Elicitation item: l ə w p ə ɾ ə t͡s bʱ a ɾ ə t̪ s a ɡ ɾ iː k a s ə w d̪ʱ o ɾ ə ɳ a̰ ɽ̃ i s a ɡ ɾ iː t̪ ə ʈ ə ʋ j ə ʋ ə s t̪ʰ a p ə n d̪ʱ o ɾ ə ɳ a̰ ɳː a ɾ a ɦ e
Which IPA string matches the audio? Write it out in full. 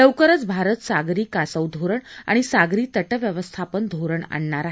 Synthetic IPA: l ə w k ə ɾ ə t͡s bʱ a ɾ ə t̪ s a ɡ ɾ iː k a s ə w d̪ʱ o ɾ ə ɳ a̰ ɽ̃ i s a ɡ ɾ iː t̪ ə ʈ ə ʋ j ə ʋ ə s t̪ʰ a p ə n d̪ʱ o ɾ ə ɳ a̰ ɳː a ɾ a ɦ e